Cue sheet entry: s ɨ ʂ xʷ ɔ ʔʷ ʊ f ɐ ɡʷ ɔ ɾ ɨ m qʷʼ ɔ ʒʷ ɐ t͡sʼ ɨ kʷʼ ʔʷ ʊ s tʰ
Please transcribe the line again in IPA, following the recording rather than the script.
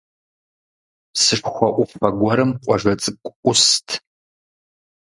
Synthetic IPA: s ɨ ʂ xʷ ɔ ʔʷ ʊ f ɐ ɡʷ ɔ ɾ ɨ m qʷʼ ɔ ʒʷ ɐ t͡sʼ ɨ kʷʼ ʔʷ ʊ s tʰ